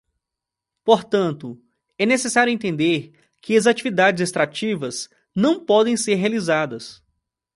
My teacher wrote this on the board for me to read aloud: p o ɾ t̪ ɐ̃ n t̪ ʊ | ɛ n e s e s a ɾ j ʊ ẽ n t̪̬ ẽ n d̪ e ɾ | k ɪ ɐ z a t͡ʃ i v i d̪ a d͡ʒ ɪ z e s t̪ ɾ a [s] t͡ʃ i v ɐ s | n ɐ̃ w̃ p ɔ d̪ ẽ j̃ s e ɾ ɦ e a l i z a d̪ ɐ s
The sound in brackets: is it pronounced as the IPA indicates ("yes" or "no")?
no